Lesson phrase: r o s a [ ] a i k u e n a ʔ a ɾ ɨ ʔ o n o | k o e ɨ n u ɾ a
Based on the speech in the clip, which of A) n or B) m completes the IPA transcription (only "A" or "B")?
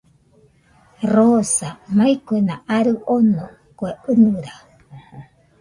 B